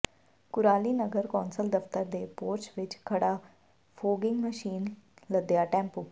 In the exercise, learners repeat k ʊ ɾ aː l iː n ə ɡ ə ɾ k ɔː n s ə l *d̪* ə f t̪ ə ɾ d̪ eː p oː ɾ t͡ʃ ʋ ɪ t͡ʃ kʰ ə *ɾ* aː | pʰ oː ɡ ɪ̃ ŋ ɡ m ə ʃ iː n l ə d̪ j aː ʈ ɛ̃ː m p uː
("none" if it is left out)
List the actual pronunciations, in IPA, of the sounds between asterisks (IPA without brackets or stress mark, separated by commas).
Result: d̪, ɽ